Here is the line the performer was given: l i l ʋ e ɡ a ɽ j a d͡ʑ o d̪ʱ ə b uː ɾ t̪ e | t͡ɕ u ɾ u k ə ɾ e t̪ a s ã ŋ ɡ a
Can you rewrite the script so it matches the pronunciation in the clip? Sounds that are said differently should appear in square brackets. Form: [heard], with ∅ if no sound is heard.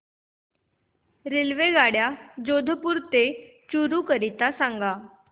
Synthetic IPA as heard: [ɾ] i l ʋ e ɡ a ɽ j a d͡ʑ o d̪ʱ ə [p] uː ɾ t̪ e | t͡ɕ u ɾ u k ə ɾ [i] t̪ a s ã ŋ ɡ a